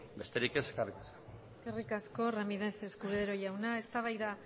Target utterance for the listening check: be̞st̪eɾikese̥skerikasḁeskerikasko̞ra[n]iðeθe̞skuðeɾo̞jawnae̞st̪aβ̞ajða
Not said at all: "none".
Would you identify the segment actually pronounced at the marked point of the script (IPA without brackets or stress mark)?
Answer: m